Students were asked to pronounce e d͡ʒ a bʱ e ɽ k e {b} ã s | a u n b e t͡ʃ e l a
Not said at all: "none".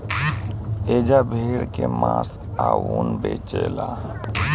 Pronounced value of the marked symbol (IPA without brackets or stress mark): m